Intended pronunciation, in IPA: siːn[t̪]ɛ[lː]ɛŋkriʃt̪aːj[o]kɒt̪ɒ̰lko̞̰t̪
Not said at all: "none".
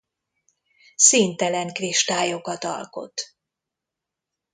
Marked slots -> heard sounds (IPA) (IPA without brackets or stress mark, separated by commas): t̪, l, o